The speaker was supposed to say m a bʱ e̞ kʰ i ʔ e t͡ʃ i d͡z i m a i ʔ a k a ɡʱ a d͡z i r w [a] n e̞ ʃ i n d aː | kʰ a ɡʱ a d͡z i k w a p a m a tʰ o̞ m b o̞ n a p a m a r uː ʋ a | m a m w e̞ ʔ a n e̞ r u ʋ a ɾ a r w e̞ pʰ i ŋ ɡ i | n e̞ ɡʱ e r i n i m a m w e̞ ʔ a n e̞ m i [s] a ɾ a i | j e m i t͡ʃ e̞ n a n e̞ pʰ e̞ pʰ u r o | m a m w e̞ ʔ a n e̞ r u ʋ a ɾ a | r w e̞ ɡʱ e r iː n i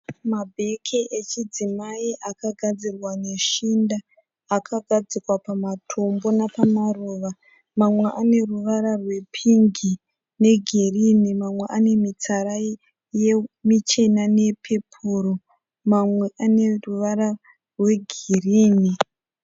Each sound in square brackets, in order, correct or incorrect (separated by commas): correct, incorrect